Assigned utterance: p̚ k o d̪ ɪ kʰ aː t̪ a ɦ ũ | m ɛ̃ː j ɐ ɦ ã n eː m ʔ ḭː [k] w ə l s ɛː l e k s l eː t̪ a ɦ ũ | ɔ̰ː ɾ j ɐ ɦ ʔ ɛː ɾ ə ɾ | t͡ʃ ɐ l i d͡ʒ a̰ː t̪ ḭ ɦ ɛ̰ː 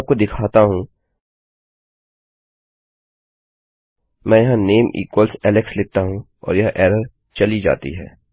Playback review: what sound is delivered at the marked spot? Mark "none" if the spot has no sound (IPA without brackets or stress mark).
k